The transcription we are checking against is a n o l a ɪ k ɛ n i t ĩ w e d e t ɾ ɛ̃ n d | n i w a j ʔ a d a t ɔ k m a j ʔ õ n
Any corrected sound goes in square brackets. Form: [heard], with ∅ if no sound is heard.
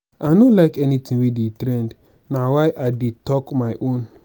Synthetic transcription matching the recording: a n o l a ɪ k ɛ n i t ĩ w e d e t ɾ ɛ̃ n d | n [a] w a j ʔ a d [e] t ɔ k m a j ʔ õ n